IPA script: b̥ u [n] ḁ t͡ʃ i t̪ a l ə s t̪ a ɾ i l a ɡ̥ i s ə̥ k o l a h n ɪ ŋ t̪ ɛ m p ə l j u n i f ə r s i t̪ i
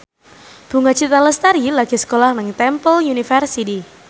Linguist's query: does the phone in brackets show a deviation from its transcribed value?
yes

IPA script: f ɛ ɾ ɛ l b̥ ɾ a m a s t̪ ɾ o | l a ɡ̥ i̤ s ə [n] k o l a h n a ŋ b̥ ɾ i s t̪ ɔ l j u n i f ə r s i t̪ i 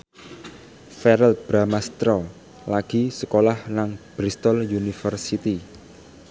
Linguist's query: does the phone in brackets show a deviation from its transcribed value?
yes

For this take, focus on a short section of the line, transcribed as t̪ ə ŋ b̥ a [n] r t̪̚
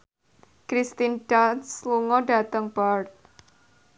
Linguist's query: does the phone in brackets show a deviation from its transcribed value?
yes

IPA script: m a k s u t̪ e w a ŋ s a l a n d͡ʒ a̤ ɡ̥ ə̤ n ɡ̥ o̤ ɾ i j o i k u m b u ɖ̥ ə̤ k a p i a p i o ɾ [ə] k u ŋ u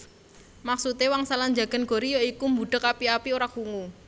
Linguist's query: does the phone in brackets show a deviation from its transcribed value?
yes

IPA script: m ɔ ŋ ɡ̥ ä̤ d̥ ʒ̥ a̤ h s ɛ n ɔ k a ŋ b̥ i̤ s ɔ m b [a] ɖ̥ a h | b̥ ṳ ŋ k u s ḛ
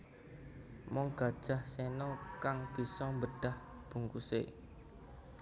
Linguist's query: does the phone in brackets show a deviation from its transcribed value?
yes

